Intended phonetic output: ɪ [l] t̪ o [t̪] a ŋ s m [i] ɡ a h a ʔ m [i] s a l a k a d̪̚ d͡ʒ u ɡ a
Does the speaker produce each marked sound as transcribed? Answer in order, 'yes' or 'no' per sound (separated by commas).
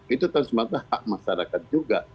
no, yes, no, no